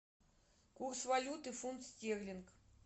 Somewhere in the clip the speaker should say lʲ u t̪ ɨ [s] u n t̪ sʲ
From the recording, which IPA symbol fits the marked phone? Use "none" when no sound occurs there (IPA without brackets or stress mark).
f